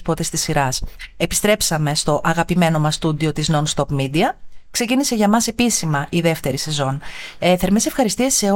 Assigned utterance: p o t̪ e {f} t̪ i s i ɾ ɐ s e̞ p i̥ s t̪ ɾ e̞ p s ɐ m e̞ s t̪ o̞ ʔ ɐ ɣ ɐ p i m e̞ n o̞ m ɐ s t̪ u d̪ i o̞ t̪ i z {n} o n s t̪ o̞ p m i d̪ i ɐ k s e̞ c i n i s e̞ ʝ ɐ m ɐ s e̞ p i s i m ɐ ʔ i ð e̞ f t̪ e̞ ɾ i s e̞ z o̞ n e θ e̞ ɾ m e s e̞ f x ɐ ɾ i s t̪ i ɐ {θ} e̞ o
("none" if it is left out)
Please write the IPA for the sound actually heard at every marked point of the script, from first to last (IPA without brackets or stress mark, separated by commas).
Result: s, n, s